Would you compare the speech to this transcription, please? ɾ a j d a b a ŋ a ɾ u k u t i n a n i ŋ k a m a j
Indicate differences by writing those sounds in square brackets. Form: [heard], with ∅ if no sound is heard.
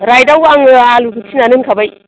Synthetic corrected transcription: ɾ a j d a [w] a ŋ a [l] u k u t i n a n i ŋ k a [b] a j